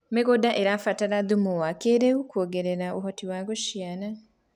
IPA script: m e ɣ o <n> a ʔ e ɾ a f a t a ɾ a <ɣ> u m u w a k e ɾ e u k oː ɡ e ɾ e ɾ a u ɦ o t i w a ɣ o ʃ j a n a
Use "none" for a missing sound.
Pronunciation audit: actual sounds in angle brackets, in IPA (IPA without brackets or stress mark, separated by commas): d, ð